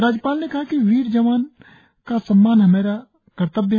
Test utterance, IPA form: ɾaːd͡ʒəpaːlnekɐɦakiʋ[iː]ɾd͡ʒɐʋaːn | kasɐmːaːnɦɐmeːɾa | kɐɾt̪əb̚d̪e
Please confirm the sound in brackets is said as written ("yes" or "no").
yes